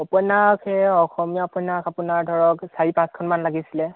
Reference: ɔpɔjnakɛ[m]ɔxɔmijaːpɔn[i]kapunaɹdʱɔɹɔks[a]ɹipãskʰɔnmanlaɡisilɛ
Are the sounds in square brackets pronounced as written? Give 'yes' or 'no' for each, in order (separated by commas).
no, no, yes